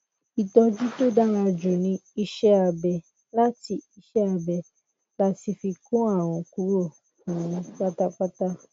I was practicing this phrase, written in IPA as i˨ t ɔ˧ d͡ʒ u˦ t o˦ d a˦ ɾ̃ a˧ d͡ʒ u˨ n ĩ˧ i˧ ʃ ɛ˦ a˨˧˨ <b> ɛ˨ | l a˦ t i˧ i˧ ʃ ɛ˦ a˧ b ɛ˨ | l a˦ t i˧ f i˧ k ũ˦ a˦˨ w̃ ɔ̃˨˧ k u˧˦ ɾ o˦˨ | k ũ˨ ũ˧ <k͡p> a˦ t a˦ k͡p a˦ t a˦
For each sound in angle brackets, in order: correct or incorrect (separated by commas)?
correct, correct